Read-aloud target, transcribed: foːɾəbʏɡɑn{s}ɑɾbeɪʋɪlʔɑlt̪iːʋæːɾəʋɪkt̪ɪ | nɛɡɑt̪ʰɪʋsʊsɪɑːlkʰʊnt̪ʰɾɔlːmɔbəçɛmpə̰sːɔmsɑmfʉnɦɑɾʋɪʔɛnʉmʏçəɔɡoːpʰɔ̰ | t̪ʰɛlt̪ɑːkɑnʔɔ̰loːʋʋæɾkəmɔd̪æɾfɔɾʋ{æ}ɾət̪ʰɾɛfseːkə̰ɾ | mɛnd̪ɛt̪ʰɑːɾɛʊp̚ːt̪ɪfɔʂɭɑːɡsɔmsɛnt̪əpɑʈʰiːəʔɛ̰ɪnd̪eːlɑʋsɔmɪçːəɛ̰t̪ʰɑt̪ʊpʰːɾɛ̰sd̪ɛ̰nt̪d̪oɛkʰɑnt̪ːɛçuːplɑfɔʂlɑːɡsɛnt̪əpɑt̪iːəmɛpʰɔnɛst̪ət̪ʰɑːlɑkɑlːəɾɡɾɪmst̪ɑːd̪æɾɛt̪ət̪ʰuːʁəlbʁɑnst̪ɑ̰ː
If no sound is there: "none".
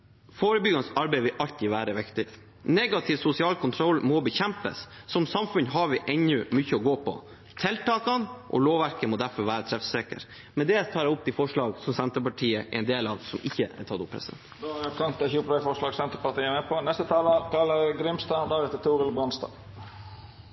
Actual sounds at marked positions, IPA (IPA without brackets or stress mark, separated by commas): s, æː